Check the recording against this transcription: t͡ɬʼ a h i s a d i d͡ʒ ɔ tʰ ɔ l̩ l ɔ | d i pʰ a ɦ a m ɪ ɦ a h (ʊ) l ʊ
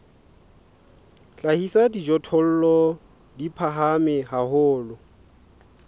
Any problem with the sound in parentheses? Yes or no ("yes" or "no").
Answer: yes